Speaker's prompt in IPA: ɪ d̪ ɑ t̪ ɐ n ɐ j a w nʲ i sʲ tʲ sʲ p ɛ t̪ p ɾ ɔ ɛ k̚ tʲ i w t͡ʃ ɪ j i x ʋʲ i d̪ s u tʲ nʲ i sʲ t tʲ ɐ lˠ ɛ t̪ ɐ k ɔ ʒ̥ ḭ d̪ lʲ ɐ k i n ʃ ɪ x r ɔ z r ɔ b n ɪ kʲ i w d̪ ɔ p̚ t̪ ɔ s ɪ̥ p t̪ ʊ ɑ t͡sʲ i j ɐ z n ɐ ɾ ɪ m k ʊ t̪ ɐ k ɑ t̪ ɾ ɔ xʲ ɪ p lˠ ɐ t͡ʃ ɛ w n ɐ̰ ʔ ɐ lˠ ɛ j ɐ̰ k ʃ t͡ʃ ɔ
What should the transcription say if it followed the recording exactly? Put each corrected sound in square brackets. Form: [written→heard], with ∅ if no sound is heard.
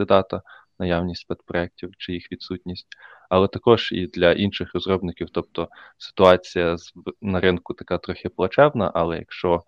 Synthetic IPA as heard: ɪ d̪ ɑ t̪ ɐ n ɐ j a w nʲ i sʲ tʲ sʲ p ɛ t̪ p ɾ ɔ ɛ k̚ tʲ i w t͡ʃ ɪ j i x ʋʲ i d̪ s u tʲ nʲ i sʲ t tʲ ɐ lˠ ɛ t̪ ɐ k ɔ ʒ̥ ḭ d̪ lʲ ɐ [k→ʔ] i n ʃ ɪ x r ɔ z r ɔ b n ɪ kʲ i w [d̪→t̪] ɔ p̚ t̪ ɔ s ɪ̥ [p→∅] t̪ ʊ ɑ t͡sʲ i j ɐ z n ɐ ɾ ɪ [m→n] k ʊ t̪ ɐ k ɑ t̪ ɾ ɔ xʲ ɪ p lˠ ɐ t͡ʃ ɛ w n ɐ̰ ʔ ɐ lˠ ɛ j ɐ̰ k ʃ t͡ʃ ɔ